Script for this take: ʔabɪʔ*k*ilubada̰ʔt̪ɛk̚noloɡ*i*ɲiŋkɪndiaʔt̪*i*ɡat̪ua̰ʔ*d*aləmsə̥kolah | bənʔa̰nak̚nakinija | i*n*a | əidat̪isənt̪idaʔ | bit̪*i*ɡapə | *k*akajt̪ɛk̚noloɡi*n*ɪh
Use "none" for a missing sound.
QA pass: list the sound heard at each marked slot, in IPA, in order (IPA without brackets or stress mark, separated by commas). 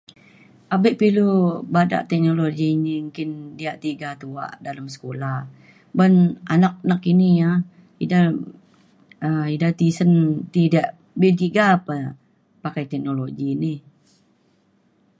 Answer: p, i, i, d, d, i, p, n